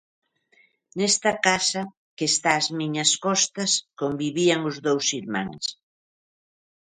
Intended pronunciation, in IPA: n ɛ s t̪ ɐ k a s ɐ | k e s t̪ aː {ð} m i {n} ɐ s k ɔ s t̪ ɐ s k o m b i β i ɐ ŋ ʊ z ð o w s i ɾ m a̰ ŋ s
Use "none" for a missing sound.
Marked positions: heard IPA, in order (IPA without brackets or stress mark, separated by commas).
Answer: z, ɲ